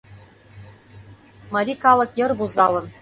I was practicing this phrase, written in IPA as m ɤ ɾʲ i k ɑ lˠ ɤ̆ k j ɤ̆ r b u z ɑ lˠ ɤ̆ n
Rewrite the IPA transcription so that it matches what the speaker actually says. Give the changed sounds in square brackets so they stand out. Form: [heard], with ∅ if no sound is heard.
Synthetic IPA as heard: m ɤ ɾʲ i k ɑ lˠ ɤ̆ k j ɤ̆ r b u z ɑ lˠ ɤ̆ n